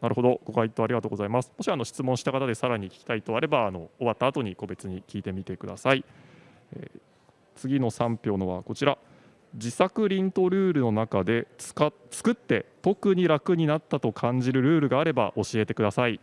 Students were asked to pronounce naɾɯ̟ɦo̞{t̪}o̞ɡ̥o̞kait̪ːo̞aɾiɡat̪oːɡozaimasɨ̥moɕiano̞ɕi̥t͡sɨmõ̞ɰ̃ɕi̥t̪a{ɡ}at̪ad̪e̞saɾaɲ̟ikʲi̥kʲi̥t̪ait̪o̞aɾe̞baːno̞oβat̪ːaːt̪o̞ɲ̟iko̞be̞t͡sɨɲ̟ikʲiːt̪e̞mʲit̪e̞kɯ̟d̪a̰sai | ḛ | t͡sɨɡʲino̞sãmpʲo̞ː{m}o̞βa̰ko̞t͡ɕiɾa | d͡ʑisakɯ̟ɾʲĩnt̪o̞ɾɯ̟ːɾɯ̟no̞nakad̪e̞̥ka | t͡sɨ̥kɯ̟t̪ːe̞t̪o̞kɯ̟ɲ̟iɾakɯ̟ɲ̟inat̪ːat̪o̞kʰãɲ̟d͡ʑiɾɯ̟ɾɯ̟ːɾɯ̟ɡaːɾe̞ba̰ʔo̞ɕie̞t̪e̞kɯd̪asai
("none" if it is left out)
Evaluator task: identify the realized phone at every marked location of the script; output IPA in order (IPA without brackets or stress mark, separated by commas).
d̪, k, n